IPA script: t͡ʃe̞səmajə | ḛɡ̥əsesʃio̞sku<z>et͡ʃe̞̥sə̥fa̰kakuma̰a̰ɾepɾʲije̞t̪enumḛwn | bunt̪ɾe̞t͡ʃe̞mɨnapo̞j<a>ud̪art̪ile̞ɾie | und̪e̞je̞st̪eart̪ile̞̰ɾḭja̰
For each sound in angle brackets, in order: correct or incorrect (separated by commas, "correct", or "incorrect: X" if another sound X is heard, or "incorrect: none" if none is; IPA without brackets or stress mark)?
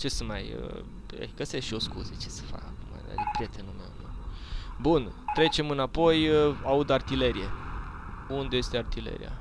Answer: correct, correct